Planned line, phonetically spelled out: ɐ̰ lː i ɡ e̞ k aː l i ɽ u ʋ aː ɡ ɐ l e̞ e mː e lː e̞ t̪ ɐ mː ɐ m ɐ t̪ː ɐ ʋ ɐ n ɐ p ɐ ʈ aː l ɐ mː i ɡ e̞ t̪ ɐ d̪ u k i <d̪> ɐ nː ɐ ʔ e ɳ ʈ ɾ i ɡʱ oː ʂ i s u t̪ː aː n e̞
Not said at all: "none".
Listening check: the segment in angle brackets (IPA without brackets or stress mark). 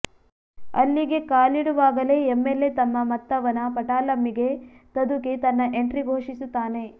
t̪